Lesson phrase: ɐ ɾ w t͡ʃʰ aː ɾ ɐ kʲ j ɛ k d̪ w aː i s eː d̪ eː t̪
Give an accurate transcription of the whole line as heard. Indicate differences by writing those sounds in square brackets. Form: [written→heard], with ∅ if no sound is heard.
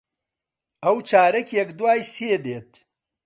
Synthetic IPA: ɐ [ɾ→∅] w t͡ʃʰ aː ɾ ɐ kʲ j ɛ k d̪ w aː [i→j] s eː d̪ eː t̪